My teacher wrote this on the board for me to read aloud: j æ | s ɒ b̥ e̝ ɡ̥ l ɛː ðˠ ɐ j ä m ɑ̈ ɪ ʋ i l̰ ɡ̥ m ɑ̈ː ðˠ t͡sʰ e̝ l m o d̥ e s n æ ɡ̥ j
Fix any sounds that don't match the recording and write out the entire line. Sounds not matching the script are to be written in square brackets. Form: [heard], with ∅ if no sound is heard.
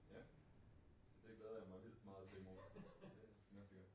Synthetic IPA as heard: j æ | s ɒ [d̥] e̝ ɡ̥ l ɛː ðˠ ɐ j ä m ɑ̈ ɪ ʋ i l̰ [d̥] m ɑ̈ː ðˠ t͡sʰ e̝ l m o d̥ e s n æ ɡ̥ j